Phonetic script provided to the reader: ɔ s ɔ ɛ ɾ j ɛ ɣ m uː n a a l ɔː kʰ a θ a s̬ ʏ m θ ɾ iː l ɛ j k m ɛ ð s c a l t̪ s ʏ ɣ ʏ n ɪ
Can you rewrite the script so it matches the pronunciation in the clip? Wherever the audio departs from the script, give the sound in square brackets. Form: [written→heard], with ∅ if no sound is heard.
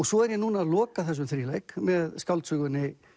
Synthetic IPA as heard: ɔ s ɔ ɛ ɾ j ɛ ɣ [m→n] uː n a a l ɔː [kʰ→k] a θ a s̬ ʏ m θ ɾ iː l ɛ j k m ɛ ð s [c→k] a l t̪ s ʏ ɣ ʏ n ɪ